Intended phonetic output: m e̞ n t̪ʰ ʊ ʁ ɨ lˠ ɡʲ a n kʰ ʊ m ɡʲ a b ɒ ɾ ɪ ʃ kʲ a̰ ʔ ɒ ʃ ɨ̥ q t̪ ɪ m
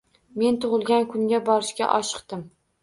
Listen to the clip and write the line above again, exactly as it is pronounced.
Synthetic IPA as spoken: m e̞ n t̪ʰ ʊ ʁ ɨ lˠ ɡʲ a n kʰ ʊ ŋ ɡʲ a b ɒ ɾ ɪ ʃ kʲ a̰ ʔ ɒ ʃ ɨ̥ q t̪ ɪ m